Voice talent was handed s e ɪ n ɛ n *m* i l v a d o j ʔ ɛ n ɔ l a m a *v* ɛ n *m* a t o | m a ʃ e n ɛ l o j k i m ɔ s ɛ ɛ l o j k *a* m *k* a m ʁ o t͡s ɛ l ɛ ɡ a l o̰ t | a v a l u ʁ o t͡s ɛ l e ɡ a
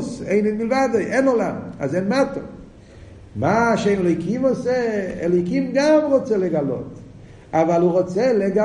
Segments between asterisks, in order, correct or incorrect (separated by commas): correct, incorrect, correct, incorrect, incorrect